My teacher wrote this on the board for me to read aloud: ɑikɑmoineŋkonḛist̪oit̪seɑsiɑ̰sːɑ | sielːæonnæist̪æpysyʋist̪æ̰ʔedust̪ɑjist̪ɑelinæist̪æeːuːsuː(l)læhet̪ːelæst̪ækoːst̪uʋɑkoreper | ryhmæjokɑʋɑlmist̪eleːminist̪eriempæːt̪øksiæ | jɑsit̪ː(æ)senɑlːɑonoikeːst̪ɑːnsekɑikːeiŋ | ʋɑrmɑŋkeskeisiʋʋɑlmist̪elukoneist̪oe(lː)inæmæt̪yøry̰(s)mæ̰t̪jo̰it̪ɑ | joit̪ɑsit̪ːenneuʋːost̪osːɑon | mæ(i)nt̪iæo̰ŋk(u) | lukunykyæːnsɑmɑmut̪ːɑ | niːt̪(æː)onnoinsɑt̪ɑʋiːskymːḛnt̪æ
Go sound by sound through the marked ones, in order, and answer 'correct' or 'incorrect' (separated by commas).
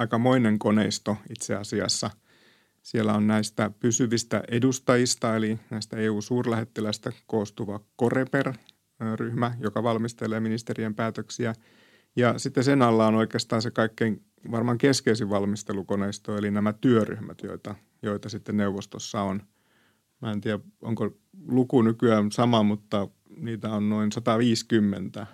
incorrect, incorrect, incorrect, incorrect, incorrect, incorrect, incorrect